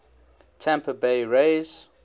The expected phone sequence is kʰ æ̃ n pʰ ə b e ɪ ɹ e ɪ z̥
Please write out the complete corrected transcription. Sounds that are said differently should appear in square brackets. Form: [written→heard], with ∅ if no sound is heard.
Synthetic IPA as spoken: [kʰ→tʰ] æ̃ [n→m] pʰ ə b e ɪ ɹ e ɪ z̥